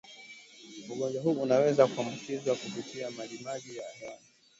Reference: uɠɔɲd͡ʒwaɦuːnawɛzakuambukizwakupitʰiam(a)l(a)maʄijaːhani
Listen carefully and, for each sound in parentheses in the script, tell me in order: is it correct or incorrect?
correct, incorrect

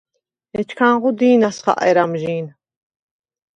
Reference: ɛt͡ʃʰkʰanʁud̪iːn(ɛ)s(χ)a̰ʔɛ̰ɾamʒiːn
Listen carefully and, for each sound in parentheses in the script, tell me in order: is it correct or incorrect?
incorrect, correct

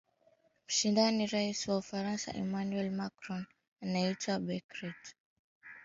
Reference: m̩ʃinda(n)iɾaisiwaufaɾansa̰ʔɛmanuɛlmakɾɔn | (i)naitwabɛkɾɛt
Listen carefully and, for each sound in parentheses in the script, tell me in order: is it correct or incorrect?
correct, incorrect

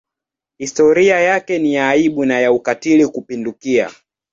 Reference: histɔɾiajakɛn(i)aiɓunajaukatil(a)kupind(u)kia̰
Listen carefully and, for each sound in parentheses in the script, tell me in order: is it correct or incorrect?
correct, incorrect, correct

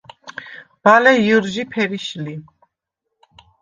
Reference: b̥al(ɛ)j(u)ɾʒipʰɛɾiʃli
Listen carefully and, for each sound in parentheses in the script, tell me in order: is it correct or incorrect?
correct, correct

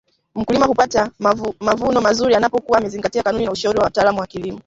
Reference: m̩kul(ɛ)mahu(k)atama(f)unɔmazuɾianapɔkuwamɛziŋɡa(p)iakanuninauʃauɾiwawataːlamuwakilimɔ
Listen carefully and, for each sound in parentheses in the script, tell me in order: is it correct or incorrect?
incorrect, incorrect, incorrect, incorrect

